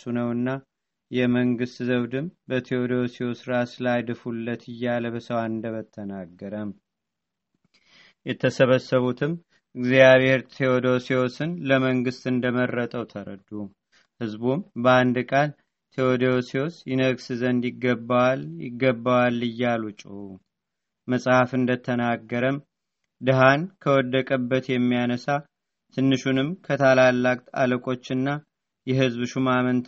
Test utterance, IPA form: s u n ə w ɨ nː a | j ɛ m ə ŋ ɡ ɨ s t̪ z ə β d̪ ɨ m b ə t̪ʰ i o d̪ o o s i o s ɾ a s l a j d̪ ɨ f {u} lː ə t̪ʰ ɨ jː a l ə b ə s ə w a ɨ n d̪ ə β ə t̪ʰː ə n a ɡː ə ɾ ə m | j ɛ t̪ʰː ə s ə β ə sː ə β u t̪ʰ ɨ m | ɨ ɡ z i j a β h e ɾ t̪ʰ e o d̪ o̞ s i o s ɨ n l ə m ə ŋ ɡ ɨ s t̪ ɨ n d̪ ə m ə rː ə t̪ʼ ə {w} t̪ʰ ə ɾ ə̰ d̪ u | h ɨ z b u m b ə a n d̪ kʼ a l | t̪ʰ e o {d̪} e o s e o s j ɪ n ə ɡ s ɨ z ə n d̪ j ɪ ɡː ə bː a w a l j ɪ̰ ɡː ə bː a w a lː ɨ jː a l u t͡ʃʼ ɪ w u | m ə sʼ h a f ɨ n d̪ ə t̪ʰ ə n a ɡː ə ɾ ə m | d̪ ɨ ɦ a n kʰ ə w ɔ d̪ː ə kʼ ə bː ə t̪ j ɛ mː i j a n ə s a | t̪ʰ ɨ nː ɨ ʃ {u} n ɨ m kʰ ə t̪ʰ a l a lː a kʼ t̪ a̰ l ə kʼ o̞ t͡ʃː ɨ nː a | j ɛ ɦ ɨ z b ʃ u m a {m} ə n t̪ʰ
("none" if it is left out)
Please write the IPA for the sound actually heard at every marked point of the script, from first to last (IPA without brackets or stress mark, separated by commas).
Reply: u, w, d̪, u, m